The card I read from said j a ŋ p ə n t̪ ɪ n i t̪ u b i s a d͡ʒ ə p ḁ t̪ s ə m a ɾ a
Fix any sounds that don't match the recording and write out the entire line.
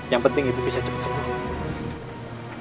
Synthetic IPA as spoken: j a ŋ p ə n t̪ ɪ ŋ i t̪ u b i s a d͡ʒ ə p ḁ t̪ s ə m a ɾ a